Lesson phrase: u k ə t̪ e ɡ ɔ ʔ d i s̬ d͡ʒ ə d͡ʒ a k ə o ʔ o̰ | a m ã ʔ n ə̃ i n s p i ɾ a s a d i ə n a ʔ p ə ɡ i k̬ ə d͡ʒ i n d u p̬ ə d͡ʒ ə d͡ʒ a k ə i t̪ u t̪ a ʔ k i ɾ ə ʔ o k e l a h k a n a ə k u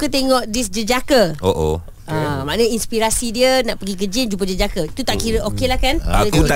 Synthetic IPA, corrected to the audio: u k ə t̪ e ŋ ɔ ʔ d i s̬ d͡ʒ ə d͡ʒ a k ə o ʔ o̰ | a m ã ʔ n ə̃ i n s p i ɾ a s i d i ə n a ʔ p ə ɡ i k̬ ə d͡ʒ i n d͡ʒ u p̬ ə d͡ʒ ə d͡ʒ a k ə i t̪ u t̪ a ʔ k i ɾ ə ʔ o k e l a h k a n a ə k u